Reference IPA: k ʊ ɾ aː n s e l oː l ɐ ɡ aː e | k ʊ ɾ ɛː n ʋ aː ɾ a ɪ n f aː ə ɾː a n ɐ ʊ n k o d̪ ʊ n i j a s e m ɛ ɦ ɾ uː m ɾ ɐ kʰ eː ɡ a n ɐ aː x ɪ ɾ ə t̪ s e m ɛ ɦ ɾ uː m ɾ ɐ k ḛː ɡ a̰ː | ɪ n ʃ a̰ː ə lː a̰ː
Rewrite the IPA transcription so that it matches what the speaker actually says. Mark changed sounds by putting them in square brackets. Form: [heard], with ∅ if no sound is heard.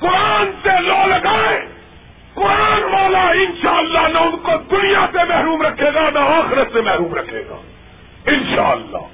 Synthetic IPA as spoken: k ʊ ɾ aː n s e l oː l ɐ ɡ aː e | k ʊ ɾ [aː] n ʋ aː [l] a ɪ n [ʃ] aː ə [lː] a n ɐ ʊ n k o d̪ ʊ n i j a s e m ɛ ɦ ɾ uː m ɾ ɐ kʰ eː ɡ a n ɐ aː x ɪ ɾ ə t̪ s e m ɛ ɦ ɾ uː m ɾ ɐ [kʰ] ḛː ɡ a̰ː | ɪ n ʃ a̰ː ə lː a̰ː